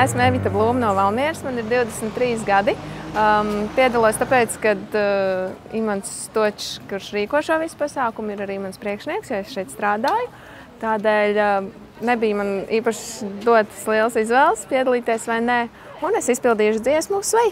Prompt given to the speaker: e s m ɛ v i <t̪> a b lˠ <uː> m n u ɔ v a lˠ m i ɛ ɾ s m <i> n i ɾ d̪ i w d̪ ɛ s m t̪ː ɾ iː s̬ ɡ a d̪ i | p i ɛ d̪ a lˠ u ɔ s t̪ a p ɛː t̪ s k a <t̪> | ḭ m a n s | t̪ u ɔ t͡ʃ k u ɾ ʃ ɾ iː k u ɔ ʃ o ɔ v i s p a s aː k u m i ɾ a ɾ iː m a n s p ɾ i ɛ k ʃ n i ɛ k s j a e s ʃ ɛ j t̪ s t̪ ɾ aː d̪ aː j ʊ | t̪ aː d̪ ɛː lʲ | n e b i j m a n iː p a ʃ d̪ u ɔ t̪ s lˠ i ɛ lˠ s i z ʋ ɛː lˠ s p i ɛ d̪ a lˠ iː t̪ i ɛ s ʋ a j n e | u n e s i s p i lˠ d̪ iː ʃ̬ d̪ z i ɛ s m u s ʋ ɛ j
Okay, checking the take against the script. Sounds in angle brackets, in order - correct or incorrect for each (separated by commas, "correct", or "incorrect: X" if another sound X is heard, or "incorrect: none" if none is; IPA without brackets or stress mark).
correct, correct, incorrect: a, incorrect: d̪